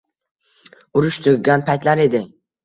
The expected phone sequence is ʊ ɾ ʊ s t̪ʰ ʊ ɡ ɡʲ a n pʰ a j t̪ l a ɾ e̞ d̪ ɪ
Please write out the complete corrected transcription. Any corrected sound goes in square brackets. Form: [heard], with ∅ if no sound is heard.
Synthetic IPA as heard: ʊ ɾ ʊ [ʃ] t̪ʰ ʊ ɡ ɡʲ a n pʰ a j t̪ l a ɾ e̞ d̪ ɪ